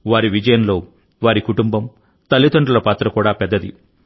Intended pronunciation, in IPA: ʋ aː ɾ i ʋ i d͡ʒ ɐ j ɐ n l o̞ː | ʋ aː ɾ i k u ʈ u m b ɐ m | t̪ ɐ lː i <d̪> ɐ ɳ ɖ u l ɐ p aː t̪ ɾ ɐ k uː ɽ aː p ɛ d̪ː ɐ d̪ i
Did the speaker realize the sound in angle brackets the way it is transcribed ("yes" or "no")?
no